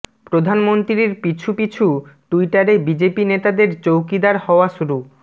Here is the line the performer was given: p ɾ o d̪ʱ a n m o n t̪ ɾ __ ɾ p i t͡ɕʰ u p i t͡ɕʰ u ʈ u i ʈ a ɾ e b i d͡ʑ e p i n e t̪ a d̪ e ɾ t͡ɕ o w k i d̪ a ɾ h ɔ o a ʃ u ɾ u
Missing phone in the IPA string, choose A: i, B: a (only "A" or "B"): A